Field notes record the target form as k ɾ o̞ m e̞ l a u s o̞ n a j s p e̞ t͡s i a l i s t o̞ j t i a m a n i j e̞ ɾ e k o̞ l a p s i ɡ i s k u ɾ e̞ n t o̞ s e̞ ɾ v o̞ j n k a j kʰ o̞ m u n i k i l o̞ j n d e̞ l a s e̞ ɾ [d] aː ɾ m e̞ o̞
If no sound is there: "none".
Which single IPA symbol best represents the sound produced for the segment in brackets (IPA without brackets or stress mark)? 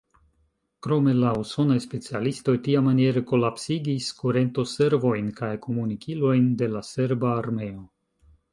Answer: b